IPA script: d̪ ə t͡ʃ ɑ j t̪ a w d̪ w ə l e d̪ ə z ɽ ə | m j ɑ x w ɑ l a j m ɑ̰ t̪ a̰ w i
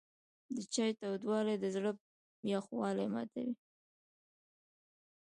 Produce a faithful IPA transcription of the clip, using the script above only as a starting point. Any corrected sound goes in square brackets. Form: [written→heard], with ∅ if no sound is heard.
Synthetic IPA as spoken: d̪ ə t͡ʃ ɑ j t̪ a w d̪ w [ə→ɑ] l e d̪ ə z ɽ ə | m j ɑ x w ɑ l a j m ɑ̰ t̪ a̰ w i